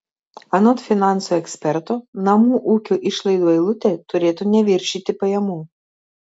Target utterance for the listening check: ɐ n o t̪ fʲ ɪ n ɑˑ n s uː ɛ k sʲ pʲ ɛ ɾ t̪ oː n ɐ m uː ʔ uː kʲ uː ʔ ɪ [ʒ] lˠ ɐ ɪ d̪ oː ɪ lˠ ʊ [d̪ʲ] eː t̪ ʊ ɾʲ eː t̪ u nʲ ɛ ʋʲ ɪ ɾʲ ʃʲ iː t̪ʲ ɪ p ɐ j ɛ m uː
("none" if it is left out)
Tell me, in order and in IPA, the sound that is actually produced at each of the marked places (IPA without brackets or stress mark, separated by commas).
ʃ, t̪ʲ